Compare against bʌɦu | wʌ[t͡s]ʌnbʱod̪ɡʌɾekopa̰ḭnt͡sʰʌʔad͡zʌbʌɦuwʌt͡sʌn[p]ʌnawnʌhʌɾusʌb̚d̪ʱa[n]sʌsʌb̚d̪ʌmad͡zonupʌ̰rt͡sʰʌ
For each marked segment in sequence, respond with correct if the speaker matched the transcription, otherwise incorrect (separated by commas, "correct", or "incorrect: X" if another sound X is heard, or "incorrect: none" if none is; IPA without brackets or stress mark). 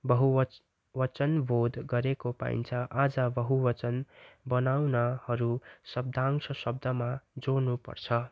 correct, incorrect: b, incorrect: ŋ